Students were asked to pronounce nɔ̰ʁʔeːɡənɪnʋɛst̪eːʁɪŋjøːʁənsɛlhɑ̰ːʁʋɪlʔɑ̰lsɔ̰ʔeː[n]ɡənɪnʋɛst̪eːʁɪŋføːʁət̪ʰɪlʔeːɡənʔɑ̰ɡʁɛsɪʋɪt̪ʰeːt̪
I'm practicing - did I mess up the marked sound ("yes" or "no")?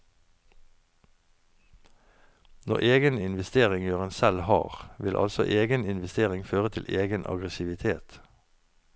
yes